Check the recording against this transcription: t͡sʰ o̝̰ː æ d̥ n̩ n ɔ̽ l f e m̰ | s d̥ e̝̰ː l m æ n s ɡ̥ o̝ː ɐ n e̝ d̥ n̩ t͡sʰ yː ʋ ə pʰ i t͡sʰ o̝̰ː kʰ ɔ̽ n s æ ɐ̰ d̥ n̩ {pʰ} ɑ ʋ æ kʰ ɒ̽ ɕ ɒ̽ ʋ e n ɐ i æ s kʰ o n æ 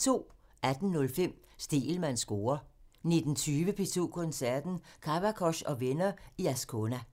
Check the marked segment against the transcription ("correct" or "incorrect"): incorrect